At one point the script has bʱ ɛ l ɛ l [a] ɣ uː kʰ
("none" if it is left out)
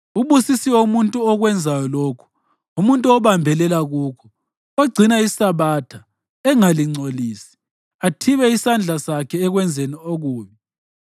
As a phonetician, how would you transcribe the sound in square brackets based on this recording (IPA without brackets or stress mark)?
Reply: a